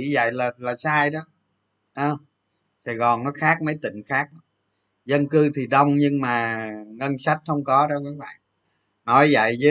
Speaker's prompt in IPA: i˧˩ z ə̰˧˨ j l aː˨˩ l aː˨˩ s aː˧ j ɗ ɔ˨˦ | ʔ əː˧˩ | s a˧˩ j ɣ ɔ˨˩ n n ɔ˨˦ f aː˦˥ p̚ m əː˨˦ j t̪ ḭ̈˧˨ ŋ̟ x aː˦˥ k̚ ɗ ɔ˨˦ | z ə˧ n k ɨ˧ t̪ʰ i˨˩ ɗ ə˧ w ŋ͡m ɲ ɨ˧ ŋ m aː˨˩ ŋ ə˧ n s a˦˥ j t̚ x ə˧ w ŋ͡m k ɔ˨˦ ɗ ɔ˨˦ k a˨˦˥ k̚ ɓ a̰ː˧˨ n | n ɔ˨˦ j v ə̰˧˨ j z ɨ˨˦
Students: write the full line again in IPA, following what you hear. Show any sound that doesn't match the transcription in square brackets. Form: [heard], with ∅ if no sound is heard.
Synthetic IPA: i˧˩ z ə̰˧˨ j l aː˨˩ l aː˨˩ s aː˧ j ɗ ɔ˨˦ | ʔ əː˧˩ | s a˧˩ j ɣ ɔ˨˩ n n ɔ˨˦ [x] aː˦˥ [k̚] m [ə˨˦] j t̪ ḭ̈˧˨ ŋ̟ x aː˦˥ k̚ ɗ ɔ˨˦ | z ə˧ n k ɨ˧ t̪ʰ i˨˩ ɗ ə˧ w ŋ͡m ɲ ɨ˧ ŋ m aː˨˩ ŋ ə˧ n s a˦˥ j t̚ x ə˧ w ŋ͡m k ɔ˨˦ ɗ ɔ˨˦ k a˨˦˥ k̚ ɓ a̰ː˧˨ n | n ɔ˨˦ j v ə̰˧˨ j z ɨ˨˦